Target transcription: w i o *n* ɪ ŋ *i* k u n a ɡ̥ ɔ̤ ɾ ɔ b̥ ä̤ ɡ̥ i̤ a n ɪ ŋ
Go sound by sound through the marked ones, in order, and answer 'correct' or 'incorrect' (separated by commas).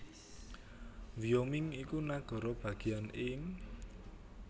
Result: incorrect, correct